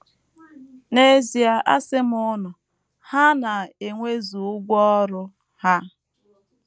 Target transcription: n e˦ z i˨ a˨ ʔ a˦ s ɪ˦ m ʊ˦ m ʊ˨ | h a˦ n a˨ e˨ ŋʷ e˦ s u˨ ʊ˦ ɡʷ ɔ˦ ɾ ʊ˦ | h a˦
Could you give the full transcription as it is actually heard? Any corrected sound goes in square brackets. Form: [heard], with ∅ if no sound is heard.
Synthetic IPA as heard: n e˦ z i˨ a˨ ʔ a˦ s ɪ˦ m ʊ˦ [n] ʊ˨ | h a˦ n a˨ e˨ ŋʷ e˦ [z] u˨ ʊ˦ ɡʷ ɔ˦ ɾ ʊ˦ | h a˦